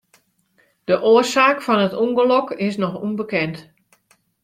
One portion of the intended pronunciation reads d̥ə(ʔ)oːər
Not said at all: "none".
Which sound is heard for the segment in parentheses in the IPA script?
ʔ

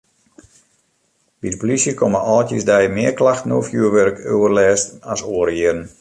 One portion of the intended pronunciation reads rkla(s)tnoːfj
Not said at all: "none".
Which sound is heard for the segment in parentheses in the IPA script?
x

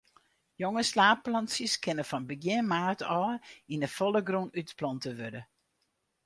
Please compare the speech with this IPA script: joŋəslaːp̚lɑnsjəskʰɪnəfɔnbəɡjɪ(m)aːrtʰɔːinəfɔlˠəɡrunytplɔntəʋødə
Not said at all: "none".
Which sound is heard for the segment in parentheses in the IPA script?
m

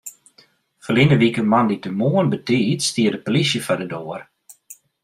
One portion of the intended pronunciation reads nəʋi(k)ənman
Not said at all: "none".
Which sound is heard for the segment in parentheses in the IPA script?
k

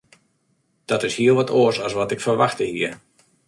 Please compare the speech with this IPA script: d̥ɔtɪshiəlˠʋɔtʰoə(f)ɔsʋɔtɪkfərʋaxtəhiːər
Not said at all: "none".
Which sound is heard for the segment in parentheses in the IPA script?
s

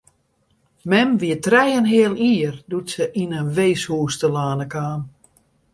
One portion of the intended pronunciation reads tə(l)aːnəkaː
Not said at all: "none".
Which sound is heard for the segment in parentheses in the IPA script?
l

